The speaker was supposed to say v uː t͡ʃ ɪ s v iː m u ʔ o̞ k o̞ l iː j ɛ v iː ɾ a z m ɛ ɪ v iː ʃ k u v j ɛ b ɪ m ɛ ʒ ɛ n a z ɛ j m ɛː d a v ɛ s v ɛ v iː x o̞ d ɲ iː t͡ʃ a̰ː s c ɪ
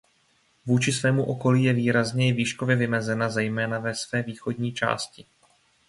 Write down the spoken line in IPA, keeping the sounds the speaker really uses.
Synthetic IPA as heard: v uː t͡ʃ ɪ s v ɛː m u ʔ o̞ k o̞ l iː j ɛ v iː ɾ a z ɲ ɛ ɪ v iː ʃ k o v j ɛ v ɪ m ɛ z ɛ n a z ɛ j m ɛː n a v ɛ s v ɛː v iː x o̞ d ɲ iː t͡ʃ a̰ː s c ɪ